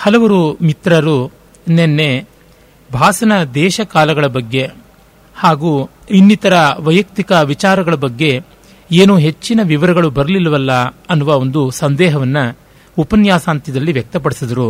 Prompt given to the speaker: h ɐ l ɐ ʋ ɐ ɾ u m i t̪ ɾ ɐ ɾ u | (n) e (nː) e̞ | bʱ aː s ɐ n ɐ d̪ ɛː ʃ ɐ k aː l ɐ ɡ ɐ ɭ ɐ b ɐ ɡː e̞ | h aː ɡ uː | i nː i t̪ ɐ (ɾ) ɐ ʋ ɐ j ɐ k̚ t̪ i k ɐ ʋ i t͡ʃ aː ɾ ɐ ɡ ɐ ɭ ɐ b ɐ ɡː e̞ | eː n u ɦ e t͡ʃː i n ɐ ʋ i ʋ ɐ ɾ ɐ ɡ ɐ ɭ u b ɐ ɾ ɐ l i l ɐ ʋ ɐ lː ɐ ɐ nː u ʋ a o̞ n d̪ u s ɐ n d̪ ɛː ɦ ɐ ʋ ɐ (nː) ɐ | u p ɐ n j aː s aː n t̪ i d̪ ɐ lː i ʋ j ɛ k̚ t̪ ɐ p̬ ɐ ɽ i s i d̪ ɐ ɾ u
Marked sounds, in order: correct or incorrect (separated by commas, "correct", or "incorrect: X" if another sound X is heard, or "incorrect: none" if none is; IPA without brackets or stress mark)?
correct, correct, correct, correct